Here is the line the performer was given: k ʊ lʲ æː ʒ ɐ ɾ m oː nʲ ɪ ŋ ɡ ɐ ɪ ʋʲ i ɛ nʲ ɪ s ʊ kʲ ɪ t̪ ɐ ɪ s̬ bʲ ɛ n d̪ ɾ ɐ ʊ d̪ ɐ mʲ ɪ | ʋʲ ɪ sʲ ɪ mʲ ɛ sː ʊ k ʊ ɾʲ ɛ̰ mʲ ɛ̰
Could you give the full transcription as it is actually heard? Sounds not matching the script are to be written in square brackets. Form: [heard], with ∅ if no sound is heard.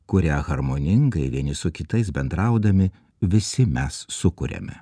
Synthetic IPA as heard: k ʊ [ɾʲ] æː [ɣ] ɐ ɾ m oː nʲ ɪ ŋ ɡ ɐ ɪ ʋʲ i ɛ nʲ ɪ s ʊ kʲ ɪ t̪ ɐ ɪ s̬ bʲ ɛ n d̪ ɾ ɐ ʊ d̪ ɐ mʲ ɪ | ʋʲ ɪ sʲ ɪ mʲ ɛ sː ʊ k ʊ ɾʲ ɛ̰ mʲ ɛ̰